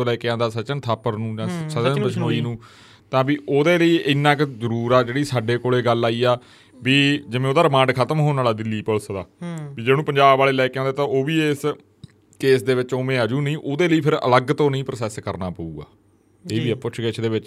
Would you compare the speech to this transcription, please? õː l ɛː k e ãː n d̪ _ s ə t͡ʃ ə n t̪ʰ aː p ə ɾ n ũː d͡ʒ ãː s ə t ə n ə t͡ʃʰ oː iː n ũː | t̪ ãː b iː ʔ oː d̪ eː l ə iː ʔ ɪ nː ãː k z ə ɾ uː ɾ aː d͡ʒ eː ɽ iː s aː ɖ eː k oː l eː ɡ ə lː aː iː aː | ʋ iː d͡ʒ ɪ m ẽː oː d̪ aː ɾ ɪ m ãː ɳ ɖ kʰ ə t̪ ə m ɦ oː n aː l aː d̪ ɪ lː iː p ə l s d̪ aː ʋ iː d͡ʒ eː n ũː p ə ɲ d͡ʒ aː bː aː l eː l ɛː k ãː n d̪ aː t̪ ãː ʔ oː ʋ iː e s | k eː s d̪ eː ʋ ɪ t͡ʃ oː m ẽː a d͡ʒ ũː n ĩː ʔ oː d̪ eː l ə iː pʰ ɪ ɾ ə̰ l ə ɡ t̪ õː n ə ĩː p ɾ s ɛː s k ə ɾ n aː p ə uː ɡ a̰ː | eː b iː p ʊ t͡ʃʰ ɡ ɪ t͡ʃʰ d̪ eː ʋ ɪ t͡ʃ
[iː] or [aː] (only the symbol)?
aː